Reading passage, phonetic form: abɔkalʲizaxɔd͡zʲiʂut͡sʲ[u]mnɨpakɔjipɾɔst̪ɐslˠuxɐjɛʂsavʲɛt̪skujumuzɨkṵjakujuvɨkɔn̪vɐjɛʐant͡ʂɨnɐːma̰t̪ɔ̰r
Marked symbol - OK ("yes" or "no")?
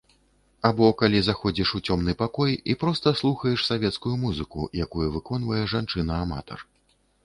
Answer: no